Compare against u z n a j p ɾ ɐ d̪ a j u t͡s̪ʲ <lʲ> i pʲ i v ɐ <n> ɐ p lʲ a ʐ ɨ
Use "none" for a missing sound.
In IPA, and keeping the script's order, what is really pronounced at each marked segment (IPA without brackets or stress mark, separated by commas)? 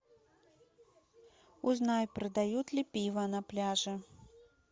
lʲ, n